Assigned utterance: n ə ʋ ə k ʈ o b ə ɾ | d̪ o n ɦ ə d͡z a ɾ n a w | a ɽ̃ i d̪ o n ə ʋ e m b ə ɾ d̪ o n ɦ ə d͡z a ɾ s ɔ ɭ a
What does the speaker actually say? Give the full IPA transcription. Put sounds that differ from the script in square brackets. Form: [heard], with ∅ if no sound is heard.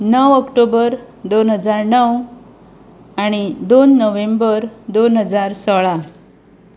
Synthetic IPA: n ə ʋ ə k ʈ o b ə ɾ | d̪ o n ɦ ə d͡z a ɾ n [ə] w | a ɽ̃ i d̪ o [nː] ə ʋ e m b ə ɾ d̪ o n ɦ ə d͡z a ɾ s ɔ ɭ a